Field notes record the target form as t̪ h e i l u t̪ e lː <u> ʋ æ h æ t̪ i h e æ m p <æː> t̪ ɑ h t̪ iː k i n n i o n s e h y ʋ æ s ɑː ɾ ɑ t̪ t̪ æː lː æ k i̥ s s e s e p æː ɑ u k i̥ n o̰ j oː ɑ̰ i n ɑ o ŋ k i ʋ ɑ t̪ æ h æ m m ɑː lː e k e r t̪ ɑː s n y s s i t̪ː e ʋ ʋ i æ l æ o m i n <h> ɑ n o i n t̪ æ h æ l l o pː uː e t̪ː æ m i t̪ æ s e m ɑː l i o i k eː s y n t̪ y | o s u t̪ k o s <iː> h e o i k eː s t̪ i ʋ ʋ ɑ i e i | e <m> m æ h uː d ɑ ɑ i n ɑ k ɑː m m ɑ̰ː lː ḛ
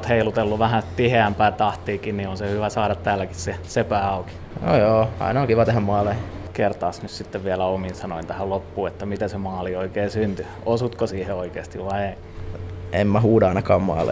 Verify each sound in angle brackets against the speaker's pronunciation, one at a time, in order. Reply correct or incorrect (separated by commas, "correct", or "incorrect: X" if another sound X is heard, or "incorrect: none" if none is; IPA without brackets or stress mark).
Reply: correct, correct, incorrect: s, correct, correct